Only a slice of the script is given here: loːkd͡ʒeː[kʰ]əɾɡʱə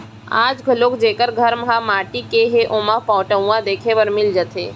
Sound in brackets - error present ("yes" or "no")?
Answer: yes